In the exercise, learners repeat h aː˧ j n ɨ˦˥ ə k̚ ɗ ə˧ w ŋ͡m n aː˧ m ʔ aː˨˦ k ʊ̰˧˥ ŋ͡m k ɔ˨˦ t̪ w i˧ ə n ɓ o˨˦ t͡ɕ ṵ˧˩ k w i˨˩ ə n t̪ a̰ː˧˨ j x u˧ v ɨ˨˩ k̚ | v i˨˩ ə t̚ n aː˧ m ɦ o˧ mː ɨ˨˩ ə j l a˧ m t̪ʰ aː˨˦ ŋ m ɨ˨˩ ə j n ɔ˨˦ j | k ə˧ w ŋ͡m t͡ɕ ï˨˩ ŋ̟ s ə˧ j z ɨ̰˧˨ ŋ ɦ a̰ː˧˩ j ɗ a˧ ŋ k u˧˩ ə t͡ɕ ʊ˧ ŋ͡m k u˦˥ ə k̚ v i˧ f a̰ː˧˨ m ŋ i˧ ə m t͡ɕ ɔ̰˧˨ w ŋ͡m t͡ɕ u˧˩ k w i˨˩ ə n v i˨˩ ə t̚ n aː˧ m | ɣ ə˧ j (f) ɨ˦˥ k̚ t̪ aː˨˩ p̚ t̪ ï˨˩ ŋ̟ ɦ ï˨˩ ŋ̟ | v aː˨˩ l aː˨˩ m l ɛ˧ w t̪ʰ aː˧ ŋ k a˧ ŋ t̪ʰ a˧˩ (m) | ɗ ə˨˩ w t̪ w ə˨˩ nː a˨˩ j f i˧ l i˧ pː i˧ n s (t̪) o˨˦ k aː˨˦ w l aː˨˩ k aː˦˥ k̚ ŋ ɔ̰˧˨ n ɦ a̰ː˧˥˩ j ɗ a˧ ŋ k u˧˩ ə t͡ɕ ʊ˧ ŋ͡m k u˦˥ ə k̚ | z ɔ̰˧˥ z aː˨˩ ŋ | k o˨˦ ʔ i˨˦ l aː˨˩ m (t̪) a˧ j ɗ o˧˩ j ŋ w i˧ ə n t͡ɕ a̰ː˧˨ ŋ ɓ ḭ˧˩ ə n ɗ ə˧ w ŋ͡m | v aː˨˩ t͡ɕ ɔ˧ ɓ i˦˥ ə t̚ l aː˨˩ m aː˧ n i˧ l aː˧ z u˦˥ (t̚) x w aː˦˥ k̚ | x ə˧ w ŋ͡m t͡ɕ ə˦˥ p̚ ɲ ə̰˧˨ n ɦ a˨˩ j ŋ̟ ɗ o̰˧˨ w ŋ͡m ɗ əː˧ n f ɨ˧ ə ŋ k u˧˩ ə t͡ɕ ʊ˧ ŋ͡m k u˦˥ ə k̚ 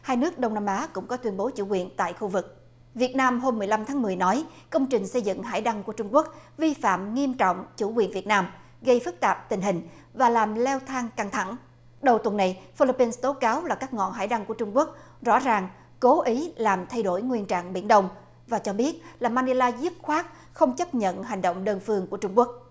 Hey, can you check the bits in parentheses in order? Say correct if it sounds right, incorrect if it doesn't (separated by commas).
correct, incorrect, correct, incorrect, incorrect